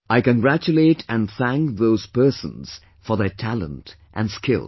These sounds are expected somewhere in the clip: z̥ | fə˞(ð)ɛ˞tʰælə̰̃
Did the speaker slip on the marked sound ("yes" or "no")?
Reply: no